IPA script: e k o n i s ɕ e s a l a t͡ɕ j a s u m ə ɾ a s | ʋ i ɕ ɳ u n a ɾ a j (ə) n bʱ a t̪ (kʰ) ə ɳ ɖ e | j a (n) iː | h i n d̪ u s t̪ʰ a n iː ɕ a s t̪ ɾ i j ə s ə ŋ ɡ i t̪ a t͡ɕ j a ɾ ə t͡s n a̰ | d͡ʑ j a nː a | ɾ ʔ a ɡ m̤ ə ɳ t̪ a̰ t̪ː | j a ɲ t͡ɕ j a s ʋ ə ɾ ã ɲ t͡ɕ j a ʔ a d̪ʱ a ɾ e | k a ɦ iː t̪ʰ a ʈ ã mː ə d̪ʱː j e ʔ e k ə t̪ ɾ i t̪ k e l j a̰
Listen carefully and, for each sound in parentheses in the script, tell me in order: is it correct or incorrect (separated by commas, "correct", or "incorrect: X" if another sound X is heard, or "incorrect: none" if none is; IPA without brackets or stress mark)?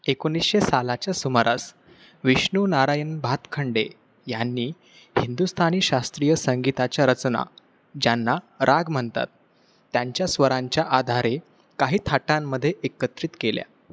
correct, correct, incorrect: nː